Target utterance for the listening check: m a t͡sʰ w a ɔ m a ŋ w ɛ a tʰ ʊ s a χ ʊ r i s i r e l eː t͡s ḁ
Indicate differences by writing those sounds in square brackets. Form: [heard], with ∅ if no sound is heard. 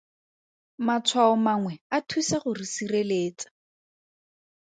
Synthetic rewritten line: m a t͡sʰ w a ɔ m a ŋ w ɛ a tʰ [u] s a χ ʊ r i s i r e l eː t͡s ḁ